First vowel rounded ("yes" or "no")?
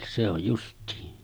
no